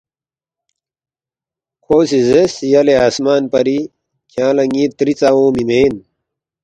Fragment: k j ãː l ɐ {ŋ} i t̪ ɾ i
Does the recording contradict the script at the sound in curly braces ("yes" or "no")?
no